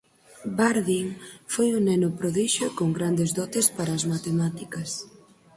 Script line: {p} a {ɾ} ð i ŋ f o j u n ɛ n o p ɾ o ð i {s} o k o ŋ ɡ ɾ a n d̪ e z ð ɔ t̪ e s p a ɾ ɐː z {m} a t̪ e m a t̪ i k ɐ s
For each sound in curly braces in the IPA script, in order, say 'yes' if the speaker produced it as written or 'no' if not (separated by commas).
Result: no, yes, no, yes